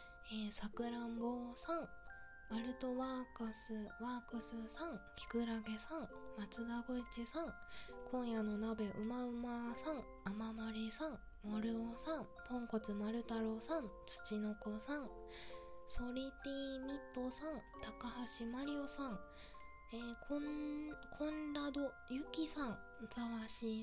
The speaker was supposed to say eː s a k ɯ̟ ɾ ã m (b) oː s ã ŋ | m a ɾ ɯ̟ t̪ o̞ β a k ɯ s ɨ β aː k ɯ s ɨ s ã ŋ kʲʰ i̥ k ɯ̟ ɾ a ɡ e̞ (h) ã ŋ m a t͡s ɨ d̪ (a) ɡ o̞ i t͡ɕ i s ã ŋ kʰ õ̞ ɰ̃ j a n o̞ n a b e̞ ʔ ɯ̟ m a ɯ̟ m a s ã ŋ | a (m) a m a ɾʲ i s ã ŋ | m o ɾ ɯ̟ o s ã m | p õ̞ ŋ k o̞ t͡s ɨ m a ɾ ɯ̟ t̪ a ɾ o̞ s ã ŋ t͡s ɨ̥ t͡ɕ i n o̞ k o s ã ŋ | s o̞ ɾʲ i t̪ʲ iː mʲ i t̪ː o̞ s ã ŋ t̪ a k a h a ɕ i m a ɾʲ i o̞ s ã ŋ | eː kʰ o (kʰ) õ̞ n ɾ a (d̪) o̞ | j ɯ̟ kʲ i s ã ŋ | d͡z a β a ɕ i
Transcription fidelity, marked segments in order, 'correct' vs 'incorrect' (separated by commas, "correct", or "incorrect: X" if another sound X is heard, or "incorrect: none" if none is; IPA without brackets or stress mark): correct, incorrect: s, correct, correct, correct, correct